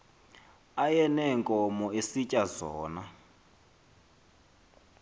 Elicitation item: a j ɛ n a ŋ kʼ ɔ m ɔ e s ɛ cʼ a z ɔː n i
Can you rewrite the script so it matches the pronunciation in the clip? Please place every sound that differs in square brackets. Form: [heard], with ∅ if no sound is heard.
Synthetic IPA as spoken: a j ɛ n [ɛ] ŋ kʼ ɔ m ɔ e s [i] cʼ a z ɔː n [a]